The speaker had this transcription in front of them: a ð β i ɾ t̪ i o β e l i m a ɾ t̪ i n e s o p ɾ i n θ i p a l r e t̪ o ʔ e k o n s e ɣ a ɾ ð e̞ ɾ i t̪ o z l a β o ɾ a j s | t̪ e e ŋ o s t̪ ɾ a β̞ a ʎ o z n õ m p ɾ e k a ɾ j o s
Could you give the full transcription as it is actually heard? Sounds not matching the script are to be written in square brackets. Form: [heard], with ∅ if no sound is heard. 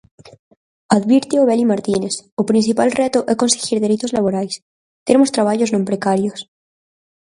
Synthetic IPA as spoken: a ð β i ɾ t̪ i o β e l i m a ɾ t̪ i n e s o p ɾ i n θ i p a l r e t̪ o ʔ e k o n s e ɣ [i] ɾ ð e̞ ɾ i t̪ o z l a β o ɾ a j s | t̪ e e [m] o s t̪ ɾ a β̞ a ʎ o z n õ m p ɾ e k a ɾ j o s